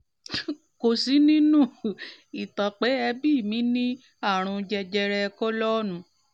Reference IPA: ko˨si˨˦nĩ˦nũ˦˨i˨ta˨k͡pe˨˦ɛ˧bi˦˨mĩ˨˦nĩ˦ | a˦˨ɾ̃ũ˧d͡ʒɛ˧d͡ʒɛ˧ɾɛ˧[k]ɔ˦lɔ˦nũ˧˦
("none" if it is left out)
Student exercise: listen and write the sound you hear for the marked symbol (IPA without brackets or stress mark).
k